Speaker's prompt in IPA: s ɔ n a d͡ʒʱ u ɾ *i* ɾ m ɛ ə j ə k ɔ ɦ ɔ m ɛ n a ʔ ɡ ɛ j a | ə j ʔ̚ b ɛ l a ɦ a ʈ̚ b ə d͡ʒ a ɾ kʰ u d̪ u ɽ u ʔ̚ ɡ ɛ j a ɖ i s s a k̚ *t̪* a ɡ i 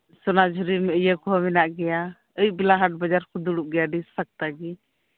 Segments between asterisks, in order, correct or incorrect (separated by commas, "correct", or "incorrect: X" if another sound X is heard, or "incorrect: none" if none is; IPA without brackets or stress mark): correct, correct